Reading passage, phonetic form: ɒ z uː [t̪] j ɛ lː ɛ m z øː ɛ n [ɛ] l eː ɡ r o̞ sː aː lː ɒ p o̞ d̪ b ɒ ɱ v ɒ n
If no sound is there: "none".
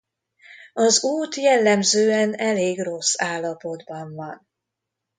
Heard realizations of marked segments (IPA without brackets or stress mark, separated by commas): t̪, ɛ